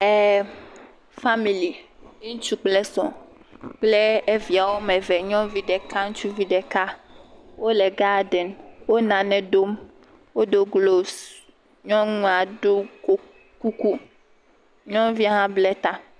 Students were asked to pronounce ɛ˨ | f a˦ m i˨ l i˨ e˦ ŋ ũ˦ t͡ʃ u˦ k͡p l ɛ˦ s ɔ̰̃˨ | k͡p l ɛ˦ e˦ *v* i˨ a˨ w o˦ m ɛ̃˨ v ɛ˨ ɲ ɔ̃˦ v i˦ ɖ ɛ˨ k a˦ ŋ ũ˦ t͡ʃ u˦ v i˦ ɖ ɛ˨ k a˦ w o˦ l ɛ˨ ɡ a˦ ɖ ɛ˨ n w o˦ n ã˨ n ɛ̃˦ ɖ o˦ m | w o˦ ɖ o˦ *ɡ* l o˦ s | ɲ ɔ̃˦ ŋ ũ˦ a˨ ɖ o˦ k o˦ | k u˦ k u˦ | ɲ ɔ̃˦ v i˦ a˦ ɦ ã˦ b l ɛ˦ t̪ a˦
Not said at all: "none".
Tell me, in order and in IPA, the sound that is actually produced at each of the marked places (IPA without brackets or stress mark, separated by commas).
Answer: v, ɡ